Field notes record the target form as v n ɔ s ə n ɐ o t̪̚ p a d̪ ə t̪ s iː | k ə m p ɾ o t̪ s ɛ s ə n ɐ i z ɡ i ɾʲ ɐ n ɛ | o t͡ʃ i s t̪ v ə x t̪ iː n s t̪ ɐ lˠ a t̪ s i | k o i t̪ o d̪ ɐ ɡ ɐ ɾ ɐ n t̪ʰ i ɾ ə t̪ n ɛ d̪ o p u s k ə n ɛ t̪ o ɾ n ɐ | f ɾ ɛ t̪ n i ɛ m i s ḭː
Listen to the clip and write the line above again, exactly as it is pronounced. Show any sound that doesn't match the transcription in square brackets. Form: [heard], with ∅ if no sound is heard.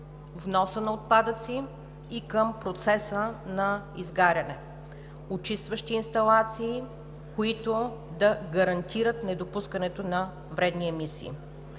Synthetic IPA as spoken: v n ɔ s ə n ɐ o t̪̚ p a d̪ ə t̪ s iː | k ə m p ɾ o t̪ s ɛ s ə n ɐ i z ɡ [a] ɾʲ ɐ n ɛ | o t͡ʃ i s t̪ v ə [ʃ] t̪ iː n s t̪ ɐ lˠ a t̪ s [iː] | k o i t̪ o d̪ ɐ ɡ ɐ ɾ ɐ n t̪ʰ i ɾ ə t̪ n ɛ d̪ o p u s k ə n ɛ t̪ o [∅] n ɐ | [v] ɾ ɛ [d̪] n i ɛ m i s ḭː